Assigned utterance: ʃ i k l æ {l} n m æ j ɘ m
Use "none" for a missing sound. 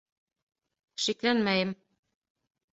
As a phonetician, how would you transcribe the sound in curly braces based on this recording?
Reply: none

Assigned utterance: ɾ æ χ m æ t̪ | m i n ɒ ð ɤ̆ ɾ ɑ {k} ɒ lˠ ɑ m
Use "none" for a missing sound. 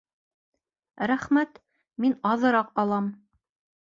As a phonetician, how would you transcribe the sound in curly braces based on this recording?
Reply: q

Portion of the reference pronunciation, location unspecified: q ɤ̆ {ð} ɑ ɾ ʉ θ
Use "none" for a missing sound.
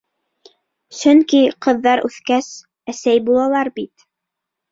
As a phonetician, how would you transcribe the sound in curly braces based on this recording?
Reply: ðː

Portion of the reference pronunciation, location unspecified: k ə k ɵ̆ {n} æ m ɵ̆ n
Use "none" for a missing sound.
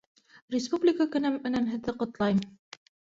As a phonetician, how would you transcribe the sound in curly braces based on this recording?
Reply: n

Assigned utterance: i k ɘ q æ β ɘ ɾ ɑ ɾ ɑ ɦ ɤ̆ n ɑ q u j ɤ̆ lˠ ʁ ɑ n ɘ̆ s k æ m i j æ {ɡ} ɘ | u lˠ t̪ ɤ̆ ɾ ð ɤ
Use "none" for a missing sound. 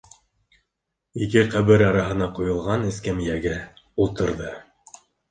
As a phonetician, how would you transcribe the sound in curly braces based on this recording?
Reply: ɡ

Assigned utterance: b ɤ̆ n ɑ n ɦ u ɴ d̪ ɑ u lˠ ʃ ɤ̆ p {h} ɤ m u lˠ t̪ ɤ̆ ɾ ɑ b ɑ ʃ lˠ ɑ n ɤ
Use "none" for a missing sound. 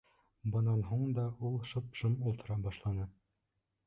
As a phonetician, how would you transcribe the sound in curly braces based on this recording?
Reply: ʃ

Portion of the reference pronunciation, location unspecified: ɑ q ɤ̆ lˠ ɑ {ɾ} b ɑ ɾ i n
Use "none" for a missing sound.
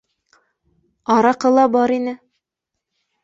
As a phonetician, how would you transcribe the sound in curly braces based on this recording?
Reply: none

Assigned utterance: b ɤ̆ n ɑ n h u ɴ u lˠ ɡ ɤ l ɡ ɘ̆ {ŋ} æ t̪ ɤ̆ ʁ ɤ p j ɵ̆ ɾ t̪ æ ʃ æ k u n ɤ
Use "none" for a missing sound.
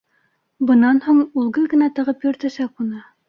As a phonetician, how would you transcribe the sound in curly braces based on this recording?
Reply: n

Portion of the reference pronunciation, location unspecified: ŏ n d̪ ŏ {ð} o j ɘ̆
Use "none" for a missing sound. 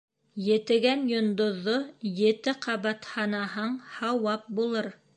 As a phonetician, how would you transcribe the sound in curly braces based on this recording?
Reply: ðː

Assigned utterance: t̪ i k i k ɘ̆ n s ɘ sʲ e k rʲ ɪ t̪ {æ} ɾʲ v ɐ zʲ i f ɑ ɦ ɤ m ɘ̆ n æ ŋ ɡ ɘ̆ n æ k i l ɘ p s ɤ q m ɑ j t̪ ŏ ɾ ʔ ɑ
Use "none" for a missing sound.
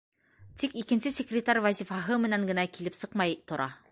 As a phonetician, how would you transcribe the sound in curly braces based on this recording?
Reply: a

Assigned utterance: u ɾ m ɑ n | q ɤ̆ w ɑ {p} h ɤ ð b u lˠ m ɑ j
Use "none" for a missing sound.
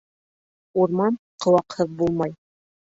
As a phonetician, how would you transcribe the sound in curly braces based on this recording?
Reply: q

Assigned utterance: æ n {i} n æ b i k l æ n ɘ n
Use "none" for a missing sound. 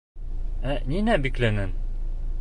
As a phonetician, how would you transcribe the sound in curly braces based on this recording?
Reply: i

